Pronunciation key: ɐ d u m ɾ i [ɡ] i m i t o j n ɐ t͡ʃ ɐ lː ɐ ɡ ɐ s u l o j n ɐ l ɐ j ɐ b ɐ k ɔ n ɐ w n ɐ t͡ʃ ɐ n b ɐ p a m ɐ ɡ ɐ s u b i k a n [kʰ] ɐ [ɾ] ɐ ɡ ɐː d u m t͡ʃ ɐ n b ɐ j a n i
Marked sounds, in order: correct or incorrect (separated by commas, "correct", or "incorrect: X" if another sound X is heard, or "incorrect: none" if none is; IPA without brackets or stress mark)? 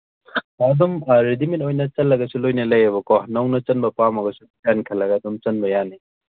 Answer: incorrect: d, correct, incorrect: l